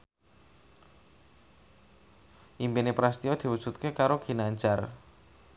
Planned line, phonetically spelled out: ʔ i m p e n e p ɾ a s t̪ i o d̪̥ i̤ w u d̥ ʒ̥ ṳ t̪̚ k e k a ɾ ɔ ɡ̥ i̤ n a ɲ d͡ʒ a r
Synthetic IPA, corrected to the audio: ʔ i m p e n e p ɾ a s t̪ i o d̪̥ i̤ w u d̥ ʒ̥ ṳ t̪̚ k e k a ɾ o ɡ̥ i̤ n a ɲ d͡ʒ a r